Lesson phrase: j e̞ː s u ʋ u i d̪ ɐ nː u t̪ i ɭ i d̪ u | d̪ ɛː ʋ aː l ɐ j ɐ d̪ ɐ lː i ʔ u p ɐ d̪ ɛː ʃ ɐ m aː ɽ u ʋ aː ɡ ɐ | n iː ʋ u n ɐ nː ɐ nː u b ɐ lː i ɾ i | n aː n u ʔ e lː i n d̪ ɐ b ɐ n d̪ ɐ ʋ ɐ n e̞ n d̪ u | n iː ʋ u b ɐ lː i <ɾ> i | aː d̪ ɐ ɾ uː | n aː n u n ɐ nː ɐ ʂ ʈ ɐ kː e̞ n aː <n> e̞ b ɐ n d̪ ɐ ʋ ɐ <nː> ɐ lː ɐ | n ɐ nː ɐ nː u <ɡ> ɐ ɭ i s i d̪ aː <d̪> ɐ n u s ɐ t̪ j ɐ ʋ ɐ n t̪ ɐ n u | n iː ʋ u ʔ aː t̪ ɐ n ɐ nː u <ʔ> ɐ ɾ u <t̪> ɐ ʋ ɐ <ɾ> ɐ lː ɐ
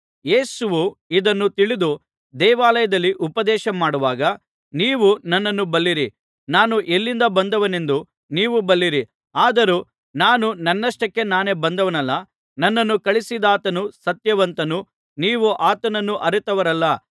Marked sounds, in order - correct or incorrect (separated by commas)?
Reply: correct, correct, incorrect, incorrect, incorrect, correct, correct, correct